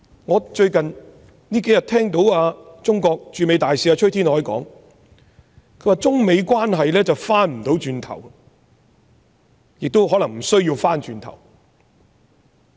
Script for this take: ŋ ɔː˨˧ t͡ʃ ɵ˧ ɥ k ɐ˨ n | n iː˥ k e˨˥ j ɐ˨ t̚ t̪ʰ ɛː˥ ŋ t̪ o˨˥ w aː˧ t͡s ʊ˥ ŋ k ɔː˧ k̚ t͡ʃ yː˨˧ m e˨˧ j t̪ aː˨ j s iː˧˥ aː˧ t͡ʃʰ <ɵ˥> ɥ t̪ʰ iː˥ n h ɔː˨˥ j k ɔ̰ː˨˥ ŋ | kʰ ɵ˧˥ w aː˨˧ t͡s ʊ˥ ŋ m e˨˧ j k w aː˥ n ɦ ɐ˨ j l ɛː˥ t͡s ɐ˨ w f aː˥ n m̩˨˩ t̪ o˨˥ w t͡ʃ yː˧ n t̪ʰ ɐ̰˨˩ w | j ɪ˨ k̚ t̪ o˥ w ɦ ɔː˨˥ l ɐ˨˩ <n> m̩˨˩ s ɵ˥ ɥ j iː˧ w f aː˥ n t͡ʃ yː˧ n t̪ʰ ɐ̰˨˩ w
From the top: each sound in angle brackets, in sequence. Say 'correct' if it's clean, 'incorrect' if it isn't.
correct, incorrect: ŋ

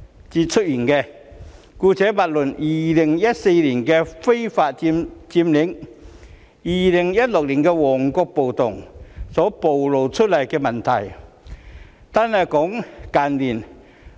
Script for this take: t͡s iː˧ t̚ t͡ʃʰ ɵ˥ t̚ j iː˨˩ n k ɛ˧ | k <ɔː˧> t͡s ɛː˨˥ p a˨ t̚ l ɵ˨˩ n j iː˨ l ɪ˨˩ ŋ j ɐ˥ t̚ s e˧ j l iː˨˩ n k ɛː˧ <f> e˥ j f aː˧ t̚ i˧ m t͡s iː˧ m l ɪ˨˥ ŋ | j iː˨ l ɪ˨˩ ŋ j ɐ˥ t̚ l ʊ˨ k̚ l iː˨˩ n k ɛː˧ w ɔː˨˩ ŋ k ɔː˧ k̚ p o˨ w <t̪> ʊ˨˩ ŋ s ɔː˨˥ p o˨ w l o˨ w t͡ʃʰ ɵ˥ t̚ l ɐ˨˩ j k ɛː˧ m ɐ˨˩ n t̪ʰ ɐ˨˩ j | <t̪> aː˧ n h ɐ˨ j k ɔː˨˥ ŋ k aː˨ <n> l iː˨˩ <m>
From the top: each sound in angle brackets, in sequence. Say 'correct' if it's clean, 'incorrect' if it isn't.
incorrect: uː˧, correct, correct, correct, correct, incorrect: n

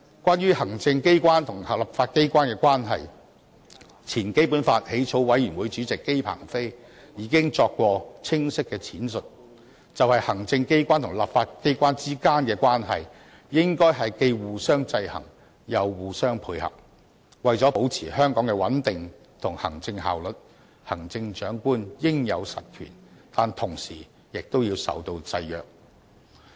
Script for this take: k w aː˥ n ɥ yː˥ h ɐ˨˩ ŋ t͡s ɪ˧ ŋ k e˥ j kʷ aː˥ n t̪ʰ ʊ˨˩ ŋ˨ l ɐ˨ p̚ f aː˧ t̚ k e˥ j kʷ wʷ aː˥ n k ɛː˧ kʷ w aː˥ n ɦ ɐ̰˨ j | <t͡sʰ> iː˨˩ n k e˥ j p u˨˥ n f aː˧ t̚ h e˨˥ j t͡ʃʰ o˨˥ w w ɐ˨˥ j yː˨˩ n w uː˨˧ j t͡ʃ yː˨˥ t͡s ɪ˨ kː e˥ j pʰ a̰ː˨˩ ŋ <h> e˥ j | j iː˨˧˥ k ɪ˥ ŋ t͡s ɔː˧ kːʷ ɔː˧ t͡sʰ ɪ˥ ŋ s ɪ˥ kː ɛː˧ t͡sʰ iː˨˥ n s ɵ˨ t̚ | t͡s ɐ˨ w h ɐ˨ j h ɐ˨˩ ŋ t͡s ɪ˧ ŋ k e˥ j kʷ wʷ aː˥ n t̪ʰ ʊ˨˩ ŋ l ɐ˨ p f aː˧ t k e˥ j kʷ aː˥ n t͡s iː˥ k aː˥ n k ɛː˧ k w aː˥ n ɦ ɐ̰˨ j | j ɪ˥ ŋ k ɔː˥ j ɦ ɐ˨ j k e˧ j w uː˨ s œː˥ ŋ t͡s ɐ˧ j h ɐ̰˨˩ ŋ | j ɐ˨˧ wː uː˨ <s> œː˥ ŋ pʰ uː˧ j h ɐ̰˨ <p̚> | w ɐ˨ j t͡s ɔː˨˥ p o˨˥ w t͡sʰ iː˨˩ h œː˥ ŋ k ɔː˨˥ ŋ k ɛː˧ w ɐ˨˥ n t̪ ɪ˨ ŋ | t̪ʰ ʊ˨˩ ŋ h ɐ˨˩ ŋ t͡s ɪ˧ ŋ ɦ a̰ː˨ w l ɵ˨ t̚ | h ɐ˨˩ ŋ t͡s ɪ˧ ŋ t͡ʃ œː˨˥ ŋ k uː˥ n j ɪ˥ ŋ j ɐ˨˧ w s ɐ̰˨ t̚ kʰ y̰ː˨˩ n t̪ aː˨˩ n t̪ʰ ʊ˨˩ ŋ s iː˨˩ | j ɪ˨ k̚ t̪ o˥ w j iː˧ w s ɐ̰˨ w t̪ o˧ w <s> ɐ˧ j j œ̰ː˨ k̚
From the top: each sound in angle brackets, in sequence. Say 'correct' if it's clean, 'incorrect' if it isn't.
correct, incorrect: f, correct, correct, incorrect: t͡s

